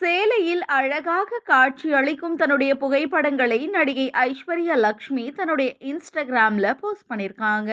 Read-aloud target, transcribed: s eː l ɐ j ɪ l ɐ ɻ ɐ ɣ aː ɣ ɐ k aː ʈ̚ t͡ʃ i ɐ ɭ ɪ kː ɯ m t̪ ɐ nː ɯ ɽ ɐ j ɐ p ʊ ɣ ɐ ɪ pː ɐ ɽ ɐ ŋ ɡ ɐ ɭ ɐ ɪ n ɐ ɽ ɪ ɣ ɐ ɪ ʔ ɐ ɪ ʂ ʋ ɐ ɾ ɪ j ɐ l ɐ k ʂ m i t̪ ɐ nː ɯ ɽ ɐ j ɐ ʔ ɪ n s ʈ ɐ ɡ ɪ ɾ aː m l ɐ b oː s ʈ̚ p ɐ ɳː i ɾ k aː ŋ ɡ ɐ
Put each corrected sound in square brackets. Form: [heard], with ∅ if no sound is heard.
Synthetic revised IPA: s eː l ɐ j ɪ l ɐ ɻ ɐ ɣ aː ɣ ɐ k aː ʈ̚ t͡ʃ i ɐ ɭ ɪ kː ɯ m t̪ ɐ nː ɯ ɽ ɐ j ɐ p ʊ ɣ ɐ ɪ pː ɐ ɽ ɐ ŋ ɡ ɐ ɭ ɐ ɪ n ɐ ɽ ɪ ɣ ɐ ɪ ʔ ɐ ɪ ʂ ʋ ɐ ɾ ɪ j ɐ l ɐ k ʂ m i t̪ ɐ nː ɯ ɽ ɐ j ɐ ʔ ɪ n s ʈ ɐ ɡ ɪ ɾ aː m l ɐ [p] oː s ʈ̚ p ɐ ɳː [ɪ] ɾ k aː ŋ ɡ ɐ